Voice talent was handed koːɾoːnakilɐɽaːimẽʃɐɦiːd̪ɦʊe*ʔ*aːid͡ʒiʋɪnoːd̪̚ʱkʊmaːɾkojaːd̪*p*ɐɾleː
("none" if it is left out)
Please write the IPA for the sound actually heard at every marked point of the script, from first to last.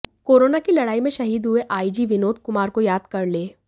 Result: ʔ, k

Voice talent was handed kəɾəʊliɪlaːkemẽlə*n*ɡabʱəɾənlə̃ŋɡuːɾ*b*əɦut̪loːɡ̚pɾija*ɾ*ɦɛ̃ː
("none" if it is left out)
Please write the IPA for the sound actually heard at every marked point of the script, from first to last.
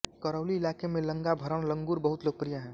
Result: ŋ, b, none

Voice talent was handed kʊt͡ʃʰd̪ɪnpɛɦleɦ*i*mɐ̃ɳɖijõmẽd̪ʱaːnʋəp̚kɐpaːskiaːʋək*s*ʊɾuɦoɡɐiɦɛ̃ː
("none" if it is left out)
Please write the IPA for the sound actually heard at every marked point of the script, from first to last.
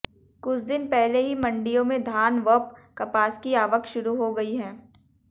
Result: i, ʃ

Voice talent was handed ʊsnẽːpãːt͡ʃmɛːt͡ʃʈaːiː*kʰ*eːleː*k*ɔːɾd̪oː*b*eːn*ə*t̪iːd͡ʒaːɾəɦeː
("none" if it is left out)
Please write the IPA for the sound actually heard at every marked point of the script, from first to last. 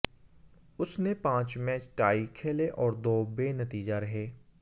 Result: kʰ, ʔ, b, ə

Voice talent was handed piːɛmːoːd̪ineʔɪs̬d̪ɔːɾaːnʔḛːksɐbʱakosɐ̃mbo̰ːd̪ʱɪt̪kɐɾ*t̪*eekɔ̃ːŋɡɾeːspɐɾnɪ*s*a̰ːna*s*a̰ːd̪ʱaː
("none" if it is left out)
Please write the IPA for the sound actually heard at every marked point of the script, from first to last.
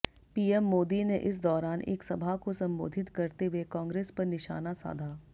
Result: t̪, ʃ, s

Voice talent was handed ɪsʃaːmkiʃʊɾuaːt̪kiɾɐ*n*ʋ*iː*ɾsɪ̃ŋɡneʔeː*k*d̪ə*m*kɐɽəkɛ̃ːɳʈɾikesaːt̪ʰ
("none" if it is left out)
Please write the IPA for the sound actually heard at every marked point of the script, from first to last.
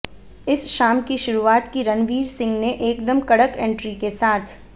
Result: n, iː, k, m

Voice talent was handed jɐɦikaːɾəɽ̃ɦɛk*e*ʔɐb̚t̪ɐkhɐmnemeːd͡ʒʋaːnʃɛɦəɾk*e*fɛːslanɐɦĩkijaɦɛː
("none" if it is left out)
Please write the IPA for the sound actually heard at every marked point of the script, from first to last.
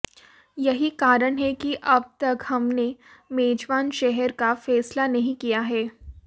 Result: i, a

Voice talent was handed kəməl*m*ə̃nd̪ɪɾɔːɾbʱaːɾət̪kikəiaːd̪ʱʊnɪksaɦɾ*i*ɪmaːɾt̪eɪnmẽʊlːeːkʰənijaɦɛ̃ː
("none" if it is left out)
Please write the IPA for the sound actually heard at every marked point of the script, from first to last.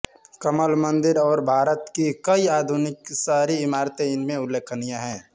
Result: m, i

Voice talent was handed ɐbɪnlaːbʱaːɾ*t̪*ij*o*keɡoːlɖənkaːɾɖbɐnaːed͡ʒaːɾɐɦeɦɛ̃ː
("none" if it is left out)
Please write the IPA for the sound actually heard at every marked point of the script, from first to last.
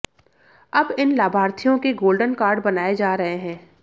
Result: t̪ʰ, õ

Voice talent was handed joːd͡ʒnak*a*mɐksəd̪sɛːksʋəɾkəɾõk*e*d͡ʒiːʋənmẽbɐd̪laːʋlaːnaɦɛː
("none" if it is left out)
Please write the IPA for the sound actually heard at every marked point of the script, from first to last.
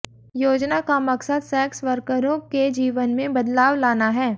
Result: a, e

